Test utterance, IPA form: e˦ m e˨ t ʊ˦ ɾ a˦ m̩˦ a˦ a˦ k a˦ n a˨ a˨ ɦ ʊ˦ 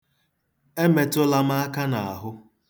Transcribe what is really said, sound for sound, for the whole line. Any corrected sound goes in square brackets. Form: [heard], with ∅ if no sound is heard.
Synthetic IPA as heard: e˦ m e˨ t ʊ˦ [l] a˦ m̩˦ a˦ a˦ k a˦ n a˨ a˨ ɦ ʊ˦